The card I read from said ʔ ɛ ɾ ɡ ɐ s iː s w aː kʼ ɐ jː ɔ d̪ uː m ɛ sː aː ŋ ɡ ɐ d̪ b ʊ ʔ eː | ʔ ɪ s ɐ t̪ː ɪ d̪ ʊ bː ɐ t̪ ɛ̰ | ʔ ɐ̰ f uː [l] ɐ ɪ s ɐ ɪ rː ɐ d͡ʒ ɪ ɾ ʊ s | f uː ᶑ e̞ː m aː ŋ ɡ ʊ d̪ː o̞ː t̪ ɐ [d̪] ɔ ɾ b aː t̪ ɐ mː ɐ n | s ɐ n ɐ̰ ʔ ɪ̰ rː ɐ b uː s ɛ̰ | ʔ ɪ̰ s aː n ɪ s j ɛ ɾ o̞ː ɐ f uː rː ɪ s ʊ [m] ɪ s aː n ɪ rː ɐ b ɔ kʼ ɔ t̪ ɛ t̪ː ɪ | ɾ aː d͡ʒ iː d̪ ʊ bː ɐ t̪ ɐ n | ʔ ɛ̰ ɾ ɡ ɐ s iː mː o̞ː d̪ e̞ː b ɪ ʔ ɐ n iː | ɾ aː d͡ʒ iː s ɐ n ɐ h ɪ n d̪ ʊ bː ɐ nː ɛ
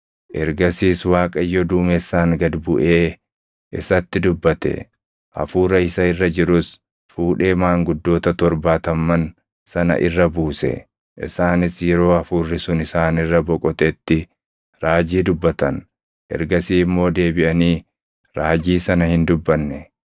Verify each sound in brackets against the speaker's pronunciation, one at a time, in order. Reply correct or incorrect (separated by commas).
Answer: incorrect, incorrect, incorrect